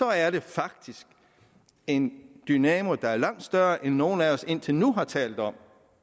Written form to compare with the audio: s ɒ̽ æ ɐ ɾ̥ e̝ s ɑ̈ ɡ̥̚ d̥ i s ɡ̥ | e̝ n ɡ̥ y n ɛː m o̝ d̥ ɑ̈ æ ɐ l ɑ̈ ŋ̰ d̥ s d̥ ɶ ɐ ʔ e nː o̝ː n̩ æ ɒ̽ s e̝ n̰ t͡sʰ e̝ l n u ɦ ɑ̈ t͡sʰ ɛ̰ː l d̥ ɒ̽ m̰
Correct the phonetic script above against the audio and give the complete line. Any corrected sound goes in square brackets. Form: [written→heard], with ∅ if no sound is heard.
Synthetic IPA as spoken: s ɒ̽ æ ɐ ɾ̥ e̝ [s→f] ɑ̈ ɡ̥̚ d̥ i s ɡ̥ | e̝ n [ɡ̥→d̥] y n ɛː m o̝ d̥ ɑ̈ æ ɐ l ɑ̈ ŋ̰ d̥ s d̥ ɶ ɐ ʔ e nː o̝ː n̩ æ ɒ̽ s e̝ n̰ t͡sʰ e̝ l n u ɦ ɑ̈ t͡sʰ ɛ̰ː l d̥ ɒ̽ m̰